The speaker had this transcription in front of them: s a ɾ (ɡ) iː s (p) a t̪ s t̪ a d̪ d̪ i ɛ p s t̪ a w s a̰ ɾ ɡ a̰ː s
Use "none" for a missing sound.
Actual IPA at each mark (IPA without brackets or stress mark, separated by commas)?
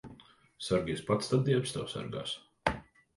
ɡ, p